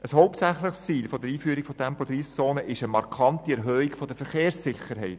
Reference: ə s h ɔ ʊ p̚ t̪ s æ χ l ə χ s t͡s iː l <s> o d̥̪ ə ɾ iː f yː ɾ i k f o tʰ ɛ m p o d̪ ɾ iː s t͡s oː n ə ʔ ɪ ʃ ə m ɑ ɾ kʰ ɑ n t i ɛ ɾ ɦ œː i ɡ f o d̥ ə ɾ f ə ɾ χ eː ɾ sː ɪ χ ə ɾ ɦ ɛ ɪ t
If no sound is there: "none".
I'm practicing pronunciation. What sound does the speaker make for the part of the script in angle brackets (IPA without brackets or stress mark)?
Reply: f